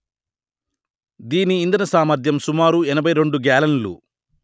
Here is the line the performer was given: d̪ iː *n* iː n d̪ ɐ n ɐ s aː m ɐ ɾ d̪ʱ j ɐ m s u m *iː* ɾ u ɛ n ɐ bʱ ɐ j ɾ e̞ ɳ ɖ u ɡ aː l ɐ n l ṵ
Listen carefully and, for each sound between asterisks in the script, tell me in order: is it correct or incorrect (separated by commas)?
correct, incorrect